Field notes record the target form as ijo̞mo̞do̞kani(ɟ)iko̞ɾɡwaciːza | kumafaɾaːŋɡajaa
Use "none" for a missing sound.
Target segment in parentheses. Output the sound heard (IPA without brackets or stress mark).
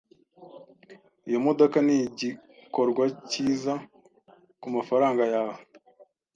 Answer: ɟ